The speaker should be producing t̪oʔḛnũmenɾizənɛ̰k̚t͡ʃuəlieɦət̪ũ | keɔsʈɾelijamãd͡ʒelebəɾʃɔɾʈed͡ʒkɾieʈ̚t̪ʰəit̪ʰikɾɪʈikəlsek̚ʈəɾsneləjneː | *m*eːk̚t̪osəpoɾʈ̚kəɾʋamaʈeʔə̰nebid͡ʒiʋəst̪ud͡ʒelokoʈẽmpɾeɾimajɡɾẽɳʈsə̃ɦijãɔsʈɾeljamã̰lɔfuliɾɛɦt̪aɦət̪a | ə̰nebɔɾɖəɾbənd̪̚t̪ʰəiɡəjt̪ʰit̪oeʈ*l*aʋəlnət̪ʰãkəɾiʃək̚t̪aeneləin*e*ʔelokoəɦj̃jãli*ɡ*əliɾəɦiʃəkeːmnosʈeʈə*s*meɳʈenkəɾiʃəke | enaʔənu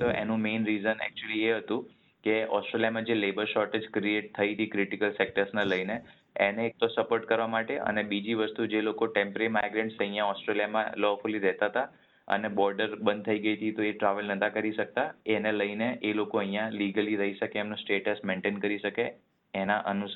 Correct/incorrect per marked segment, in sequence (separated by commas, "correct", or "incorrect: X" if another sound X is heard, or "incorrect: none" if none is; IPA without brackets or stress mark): incorrect: n, incorrect: ɾ, correct, correct, correct